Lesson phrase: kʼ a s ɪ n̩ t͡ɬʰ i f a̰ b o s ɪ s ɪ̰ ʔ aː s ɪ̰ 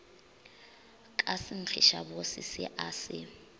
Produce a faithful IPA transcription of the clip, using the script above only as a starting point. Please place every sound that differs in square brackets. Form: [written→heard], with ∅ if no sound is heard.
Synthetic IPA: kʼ a s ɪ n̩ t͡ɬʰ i [f→ʃ] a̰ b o s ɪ s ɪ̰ ʔ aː s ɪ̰